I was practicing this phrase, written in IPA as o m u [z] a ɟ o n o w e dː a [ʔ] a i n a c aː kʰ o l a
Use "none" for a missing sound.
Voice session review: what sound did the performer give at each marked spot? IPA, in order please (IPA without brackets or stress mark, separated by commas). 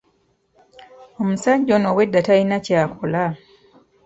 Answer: s, t